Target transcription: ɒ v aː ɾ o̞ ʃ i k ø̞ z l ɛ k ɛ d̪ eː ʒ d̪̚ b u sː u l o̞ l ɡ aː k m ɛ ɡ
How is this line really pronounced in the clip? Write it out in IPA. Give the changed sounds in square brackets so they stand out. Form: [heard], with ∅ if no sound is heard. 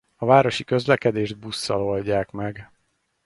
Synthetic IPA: ɒ v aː ɾ o̞ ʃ i k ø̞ z l ɛ k ɛ d̪ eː ʒ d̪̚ b u sː [ɒ] l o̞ l [ɟ] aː k m ɛ ɡ